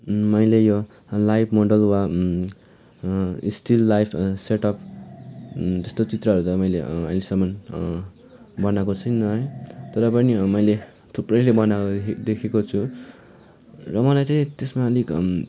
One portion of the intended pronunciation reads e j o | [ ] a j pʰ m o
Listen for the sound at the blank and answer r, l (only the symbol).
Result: l